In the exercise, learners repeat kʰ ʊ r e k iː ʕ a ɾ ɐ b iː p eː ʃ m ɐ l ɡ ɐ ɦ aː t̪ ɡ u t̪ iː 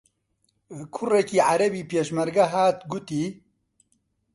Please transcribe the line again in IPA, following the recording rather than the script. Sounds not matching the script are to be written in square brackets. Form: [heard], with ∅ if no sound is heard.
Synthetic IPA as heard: kʰ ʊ r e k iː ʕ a ɾ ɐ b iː p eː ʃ m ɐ [ɾ] ɡ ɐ ɦ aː t̪ ɡ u t̪ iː